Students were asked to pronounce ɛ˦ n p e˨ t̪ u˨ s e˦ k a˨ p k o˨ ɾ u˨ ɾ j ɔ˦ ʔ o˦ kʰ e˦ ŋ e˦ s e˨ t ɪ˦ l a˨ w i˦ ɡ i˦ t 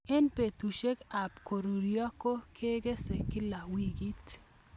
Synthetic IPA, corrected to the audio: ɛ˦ n p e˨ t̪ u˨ ʃ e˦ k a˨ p k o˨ ɾ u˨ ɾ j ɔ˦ k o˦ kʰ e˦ ɡ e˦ s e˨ k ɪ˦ l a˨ w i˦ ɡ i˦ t